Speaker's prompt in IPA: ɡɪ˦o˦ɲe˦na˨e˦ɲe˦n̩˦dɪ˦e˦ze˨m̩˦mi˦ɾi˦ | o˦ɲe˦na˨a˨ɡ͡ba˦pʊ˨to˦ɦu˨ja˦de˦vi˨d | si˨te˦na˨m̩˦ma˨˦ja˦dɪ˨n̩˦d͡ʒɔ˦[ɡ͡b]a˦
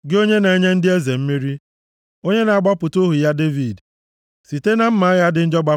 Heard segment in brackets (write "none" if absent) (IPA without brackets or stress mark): ɡ͡b